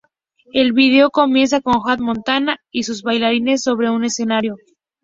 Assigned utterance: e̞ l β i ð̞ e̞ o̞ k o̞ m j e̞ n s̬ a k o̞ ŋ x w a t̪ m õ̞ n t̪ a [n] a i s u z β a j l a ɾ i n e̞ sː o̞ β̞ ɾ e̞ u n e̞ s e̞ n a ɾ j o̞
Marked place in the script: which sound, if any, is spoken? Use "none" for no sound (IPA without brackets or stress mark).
n